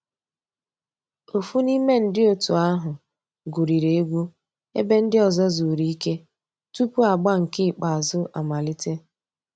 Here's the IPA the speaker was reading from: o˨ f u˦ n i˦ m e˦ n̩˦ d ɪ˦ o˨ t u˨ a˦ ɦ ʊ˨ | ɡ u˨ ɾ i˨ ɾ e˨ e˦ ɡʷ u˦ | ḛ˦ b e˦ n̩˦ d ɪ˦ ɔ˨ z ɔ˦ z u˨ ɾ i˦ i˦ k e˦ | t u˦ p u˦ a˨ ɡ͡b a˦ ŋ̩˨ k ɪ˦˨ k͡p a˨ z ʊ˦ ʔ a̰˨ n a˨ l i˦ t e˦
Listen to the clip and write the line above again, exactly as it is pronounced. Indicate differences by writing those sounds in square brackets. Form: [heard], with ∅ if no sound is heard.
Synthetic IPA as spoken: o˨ f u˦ n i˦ m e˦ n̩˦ d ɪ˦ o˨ t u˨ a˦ ɦ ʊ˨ | ɡ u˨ ɾ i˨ ɾ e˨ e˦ ɡʷ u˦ | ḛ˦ b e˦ n̩˦ d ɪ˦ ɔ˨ z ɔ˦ z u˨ ɾ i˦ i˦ k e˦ | t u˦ p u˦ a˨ ɡ͡b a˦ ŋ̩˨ k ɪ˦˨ k͡p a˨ z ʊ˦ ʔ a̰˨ [m] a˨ l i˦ t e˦